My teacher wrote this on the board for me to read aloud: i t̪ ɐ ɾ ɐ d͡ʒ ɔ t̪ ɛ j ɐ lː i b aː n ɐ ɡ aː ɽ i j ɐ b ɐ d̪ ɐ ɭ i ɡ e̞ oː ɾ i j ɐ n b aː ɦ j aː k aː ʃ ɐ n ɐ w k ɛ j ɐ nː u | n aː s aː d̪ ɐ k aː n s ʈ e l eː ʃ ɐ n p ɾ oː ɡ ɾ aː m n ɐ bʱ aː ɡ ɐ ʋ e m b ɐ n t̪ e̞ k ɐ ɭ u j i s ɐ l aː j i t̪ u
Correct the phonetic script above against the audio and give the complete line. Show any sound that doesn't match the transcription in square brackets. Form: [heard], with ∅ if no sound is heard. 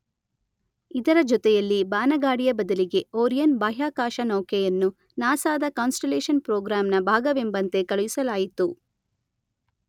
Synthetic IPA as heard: i [d̪] ɐ ɾ ɐ d͡ʒ ɔ t̪ ɛ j ɐ lː i b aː n ɐ ɡ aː ɽ i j ɐ b ɐ d̪ ɐ [l] i ɡ e̞ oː ɾ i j ɐ n b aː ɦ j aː k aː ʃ ɐ n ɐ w k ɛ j ɐ nː u | n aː s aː d̪ ɐ k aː n s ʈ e l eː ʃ ɐ n p ɾ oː ɡ ɾ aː m n ɐ bʱ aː ɡ ɐ ʋ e m b ɐ n t̪ e̞ k ɐ ɭ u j i s ɐ l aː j i t̪ u